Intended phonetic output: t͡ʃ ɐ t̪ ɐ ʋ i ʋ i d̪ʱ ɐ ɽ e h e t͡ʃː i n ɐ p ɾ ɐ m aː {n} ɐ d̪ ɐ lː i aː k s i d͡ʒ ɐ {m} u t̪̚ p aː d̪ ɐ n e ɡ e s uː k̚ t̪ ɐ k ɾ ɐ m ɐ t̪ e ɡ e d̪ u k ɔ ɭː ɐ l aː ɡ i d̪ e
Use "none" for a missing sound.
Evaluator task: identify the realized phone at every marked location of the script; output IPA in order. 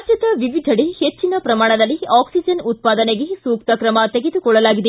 ɳ, n

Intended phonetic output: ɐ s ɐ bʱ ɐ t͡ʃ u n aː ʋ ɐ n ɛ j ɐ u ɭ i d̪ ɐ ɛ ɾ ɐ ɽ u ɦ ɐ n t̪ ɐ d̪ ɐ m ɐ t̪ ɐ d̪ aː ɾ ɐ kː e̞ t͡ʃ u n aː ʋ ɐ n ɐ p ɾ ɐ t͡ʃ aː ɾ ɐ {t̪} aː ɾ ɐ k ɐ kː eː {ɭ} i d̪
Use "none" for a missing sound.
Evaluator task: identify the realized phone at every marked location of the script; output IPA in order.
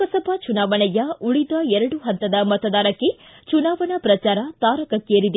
t̪, ɾ

